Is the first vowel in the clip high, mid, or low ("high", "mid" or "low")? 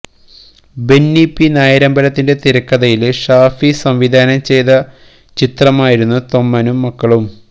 mid